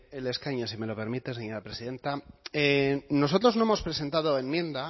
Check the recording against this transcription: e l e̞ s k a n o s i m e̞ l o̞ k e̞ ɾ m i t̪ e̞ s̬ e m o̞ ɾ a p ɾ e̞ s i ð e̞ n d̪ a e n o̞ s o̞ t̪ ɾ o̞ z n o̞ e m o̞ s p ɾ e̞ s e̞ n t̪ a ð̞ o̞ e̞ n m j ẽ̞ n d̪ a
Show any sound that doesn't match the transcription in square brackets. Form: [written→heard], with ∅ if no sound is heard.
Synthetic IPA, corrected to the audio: e l e̞ s k a [n→ɲ] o s i m e̞ l o̞ [k→p] e̞ ɾ m i t̪ e̞ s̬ e [m→ɲ] o̞ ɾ a p ɾ e̞ s i ð e̞ n [d̪→t̪] a e n o̞ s o̞ t̪ ɾ o̞ z n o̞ e m o̞ s p ɾ e̞ s e̞ n t̪ a ð̞ o̞ e̞ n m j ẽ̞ n d̪ a